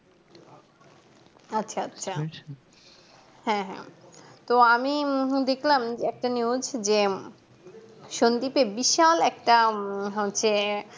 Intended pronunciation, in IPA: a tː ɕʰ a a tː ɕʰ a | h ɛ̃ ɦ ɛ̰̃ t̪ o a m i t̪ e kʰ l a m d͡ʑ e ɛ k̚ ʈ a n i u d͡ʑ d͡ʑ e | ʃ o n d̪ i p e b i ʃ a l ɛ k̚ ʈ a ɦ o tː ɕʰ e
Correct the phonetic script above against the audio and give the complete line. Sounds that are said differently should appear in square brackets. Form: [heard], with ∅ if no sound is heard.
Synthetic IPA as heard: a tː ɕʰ a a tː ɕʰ a | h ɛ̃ ɦ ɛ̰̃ t̪ o a m i [d̪] e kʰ l a m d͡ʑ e ɛ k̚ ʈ a n i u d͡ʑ d͡ʑ e | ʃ o n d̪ i p e b i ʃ a l ɛ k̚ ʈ a ɦ o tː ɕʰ e